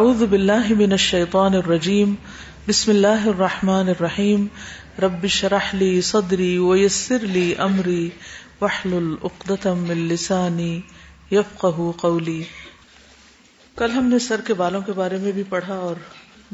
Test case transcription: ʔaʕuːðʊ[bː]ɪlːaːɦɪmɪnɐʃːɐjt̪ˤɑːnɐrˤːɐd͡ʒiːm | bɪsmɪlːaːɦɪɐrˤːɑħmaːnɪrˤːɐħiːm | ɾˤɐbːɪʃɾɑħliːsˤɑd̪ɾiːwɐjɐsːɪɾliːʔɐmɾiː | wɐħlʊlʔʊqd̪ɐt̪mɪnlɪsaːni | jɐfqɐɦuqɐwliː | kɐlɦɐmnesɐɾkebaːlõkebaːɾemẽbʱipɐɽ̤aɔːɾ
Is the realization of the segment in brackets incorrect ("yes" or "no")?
yes